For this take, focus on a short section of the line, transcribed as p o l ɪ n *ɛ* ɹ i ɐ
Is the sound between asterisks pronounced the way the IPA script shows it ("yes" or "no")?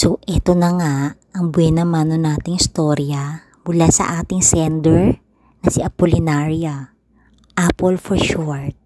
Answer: no